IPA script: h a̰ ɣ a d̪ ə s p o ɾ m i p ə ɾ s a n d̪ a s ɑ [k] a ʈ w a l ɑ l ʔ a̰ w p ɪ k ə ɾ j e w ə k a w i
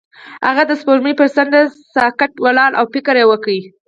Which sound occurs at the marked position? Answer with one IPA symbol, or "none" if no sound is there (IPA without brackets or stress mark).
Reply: k